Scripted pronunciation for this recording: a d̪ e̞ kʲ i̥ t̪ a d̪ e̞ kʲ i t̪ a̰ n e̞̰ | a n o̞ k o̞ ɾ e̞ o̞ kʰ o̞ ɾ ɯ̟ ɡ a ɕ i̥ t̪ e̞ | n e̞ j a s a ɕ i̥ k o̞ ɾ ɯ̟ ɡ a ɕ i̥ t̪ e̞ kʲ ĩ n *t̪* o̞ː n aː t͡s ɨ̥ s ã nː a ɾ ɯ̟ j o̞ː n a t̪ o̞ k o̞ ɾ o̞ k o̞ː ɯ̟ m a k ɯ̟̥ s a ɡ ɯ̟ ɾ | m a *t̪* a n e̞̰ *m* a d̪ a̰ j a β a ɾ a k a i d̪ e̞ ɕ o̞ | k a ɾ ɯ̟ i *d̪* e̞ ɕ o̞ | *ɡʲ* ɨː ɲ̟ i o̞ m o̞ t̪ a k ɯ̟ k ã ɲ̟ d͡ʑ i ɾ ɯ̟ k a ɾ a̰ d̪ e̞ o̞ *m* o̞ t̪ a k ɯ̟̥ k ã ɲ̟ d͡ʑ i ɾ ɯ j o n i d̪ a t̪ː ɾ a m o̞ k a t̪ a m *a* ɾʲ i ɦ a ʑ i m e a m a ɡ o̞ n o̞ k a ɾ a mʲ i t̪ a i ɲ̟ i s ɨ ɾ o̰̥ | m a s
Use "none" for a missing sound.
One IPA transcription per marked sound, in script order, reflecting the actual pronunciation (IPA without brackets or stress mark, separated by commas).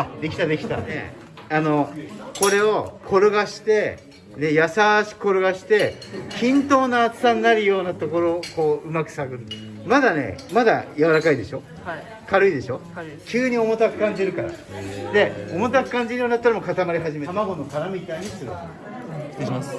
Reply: t̪, d̪, m, d̪, kʲ, m, a